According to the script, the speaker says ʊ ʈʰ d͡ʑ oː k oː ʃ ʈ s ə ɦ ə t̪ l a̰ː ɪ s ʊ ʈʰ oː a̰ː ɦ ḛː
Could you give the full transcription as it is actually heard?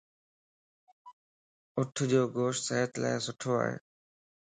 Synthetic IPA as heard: ʊ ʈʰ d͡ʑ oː ɡ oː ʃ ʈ s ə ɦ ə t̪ l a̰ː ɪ s ʊ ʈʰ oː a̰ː ɦ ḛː